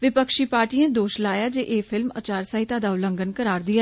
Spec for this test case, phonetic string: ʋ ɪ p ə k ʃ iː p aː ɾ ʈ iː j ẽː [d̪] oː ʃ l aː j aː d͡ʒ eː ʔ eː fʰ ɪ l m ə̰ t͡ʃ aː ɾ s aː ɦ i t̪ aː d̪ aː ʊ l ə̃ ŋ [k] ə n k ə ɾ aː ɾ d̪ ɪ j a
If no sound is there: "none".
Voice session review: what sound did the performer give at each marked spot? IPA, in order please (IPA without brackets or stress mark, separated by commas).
d̪, ɡ